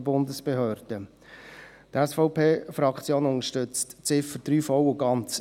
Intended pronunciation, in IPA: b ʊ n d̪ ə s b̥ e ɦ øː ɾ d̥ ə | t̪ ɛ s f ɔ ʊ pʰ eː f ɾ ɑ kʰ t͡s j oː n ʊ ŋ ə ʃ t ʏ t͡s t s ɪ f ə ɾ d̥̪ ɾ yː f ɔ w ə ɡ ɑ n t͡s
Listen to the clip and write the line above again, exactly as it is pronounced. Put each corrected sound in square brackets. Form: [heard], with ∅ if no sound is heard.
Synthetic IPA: b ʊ n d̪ ə s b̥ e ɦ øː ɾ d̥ ə | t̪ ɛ s f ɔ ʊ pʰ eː f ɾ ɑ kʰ t͡s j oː n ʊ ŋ ə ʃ t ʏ t͡s t [t͡s] ɪ f ə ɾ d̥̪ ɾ yː f ɔ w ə ɡ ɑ n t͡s